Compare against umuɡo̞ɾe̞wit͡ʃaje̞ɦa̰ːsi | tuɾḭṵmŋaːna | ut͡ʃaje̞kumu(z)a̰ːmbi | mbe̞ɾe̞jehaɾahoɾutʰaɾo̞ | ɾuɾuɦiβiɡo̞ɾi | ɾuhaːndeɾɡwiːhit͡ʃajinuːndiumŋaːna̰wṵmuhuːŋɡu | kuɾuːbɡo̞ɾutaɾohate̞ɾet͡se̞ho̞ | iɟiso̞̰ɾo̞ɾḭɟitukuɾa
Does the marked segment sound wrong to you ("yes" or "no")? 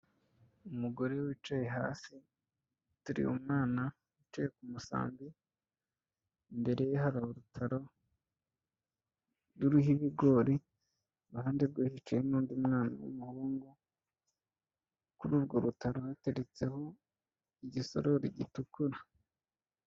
yes